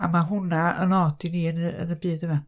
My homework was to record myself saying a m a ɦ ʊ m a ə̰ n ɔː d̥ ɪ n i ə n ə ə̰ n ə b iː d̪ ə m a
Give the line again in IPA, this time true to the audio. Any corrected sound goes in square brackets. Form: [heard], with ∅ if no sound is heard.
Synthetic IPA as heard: a m a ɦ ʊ [n] a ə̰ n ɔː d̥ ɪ n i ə n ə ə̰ n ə b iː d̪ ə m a